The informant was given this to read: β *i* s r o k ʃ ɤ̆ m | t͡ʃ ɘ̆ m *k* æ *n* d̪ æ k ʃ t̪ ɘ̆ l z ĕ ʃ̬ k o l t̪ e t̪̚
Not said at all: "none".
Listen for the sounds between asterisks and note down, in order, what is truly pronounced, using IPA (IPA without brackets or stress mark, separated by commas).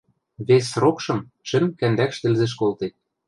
e, k, n